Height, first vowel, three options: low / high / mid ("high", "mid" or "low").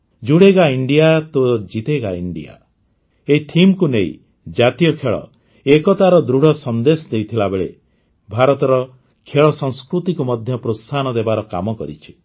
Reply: high